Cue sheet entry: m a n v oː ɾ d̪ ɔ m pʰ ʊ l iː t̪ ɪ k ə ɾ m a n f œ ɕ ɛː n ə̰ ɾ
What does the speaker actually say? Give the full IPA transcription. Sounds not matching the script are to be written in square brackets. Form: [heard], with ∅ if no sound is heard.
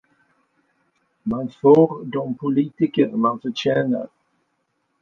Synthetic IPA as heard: m a n [f] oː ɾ d̪ ɔ m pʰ ʊ l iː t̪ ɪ k ə ɾ m a n f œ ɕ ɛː n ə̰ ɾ